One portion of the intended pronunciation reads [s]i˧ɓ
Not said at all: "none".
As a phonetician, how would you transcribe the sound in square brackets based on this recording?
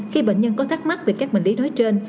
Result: x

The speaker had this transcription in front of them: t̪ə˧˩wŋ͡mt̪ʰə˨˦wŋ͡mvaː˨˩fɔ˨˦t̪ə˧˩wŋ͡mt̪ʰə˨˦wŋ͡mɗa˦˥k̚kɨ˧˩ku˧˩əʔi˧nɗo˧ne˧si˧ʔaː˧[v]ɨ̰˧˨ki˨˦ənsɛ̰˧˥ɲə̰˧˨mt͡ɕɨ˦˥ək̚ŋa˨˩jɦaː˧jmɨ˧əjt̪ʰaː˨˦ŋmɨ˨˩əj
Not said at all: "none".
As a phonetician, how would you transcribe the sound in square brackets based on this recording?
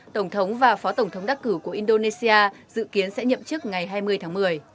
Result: z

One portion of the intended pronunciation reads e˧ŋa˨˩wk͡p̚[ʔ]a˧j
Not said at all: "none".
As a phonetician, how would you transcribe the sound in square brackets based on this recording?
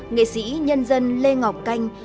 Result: k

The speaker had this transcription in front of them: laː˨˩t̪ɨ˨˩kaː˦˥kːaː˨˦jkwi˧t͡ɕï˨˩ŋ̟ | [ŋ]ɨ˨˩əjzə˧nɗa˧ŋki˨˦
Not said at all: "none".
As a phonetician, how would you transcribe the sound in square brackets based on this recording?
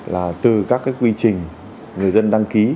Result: ŋ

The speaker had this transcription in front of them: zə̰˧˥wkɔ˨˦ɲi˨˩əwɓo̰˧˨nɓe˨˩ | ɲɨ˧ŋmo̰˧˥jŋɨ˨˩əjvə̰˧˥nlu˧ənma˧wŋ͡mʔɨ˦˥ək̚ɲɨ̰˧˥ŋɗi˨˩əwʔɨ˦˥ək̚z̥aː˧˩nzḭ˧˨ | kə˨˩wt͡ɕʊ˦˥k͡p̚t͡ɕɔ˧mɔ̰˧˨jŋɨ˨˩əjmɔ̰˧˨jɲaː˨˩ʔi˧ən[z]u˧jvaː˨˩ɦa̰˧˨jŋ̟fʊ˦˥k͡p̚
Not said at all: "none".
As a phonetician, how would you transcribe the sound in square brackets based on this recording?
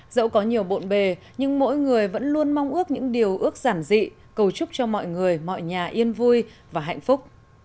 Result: v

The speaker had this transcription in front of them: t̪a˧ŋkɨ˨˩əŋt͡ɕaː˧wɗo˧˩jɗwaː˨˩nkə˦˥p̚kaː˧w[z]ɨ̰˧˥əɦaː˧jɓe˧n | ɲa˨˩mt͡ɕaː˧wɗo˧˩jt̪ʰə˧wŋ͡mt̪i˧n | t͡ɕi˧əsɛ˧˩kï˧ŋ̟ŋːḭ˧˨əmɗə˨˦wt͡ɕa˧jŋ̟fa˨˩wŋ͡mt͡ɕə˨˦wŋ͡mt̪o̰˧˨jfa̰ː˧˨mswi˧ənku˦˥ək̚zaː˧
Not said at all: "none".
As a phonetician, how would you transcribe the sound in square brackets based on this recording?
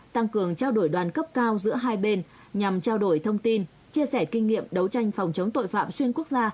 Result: z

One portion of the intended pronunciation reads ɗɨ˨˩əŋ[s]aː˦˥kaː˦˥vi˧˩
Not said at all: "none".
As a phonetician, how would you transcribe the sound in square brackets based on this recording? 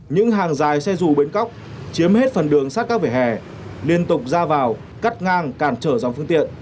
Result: s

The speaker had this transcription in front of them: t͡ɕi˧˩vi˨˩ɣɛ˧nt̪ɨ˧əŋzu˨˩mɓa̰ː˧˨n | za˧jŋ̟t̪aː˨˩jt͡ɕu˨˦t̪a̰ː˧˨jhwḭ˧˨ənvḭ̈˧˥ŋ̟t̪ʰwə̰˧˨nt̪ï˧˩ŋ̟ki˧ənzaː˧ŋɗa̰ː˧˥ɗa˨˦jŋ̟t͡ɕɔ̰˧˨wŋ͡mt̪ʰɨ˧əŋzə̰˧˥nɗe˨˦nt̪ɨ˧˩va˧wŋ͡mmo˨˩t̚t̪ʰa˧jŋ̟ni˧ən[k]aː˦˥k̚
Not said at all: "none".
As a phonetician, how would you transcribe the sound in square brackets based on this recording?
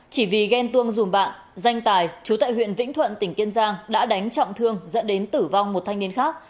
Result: x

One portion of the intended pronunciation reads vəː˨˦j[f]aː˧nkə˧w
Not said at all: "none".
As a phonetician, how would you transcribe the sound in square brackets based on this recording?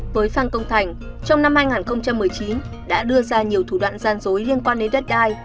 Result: f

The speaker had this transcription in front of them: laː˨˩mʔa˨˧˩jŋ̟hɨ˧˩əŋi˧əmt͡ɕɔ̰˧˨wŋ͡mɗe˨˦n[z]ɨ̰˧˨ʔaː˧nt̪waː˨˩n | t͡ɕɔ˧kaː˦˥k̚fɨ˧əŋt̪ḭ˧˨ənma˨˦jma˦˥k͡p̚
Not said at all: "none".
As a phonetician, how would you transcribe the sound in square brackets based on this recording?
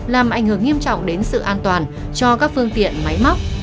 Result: s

